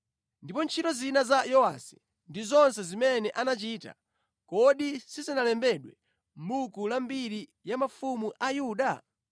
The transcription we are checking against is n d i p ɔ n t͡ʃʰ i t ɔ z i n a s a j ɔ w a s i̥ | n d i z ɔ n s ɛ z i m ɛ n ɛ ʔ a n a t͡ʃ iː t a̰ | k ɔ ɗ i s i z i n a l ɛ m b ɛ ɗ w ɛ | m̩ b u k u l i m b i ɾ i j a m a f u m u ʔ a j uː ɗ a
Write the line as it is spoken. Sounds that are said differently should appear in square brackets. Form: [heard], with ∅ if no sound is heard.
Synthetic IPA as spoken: n d i p ɔ n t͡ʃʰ i t ɔ z i n a [z] a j ɔ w a s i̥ | n d i z ɔ n s ɛ z i m ɛ n ɛ ʔ a n a t͡ʃ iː t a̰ | k ɔ ɗ i s i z i n a l ɛ m b ɛ ɗ w ɛ | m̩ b u k u l [a] m b i ɾ i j a m a f u m u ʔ a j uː ɗ a